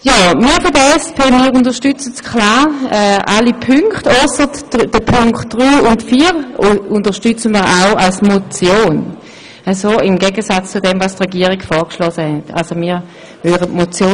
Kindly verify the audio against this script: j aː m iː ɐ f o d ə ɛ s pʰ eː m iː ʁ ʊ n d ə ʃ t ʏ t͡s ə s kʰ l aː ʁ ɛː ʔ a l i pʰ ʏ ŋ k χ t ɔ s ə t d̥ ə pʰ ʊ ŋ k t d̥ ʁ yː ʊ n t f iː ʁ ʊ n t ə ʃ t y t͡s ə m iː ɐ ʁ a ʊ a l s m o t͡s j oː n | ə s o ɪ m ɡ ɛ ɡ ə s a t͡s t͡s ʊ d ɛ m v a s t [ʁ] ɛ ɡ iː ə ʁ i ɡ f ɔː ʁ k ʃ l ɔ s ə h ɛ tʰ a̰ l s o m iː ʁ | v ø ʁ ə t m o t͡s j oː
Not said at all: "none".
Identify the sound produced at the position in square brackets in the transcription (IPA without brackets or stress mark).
ʁ